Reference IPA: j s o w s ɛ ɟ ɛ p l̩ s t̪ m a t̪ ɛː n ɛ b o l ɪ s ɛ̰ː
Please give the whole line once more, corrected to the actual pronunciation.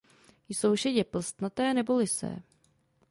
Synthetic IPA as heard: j s o w ʃ ɛ ɟ ɛ p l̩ s t̪ n a t̪ ɛː n ɛ b o l ɪ s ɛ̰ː